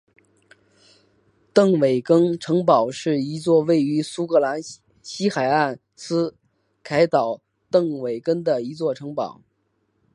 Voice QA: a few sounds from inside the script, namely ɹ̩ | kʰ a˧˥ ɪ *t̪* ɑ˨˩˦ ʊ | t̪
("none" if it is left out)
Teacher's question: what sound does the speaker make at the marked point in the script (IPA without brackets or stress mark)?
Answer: t̪